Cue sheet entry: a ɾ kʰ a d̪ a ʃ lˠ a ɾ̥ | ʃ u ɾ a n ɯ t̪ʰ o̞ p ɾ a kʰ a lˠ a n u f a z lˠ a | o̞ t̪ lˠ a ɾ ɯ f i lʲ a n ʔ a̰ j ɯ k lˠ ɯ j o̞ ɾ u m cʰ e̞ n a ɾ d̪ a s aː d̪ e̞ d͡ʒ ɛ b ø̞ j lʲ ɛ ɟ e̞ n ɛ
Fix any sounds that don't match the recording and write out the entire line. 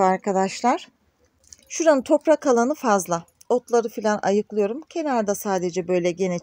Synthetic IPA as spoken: a ɾ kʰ a d̪ a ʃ lˠ a ɾ̥ | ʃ u ɾ a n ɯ t̪ʰ o̞ p ɾ a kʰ a lˠ a n ɯ f a z lˠ a | o̞ t̪ lˠ a ɾ ɯ f i lʲ a n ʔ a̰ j ɯ k lˠ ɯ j o̞ ɾ u m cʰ e̞ n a ɾ d̪ a s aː d̪ e̞ d͡ʒ ɛ b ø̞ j lʲ ɛ ɟ e̞ n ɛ